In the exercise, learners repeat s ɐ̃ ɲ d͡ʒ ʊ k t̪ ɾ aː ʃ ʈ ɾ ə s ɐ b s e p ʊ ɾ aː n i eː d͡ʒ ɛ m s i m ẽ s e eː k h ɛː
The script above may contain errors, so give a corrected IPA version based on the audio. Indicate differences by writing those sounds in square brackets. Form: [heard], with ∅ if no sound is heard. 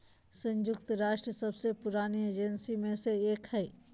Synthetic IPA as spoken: s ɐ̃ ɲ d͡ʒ ʊ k t̪ ɾ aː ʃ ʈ ɾ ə s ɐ b s e p ʊ ɾ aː n i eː d͡ʒ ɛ [n] s i m ẽ s e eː k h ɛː